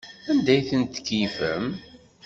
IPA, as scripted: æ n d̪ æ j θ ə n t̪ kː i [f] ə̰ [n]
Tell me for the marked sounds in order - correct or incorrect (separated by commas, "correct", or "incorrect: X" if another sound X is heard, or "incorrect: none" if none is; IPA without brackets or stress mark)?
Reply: correct, incorrect: m